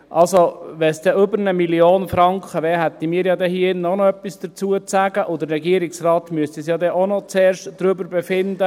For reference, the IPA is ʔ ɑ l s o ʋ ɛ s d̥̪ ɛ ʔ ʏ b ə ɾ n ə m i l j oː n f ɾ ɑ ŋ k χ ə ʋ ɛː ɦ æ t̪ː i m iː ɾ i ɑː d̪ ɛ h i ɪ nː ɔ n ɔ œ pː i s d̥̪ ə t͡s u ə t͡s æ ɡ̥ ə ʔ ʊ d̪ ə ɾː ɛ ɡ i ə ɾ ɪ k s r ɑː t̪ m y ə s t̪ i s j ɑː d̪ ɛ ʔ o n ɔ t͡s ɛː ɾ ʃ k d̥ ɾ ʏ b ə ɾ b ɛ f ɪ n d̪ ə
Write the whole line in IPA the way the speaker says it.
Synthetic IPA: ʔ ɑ l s o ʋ ɛ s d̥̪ ɛ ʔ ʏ b ə ɾ n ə m i l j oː n f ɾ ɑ ŋ k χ ə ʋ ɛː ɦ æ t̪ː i m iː ɾ j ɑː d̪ ɛ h i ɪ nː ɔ n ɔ œ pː i s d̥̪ ə t͡s u ə t͡s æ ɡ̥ ə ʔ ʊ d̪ ə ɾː ɛ ɡ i ə ɾ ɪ k s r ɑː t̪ m y ə s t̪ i s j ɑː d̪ ɛ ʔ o n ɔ t͡s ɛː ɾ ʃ t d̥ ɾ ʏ b ə ɾ b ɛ f ɪ n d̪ ə